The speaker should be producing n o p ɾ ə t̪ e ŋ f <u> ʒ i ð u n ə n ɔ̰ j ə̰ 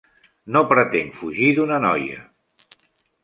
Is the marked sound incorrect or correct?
correct